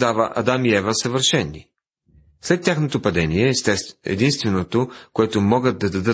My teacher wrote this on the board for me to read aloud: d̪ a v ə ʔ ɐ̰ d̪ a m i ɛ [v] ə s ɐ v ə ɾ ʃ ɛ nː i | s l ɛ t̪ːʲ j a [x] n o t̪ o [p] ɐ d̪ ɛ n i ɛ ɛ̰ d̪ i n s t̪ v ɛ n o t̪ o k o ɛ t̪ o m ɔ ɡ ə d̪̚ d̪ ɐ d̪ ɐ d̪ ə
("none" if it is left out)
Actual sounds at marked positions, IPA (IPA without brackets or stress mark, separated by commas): v, x, p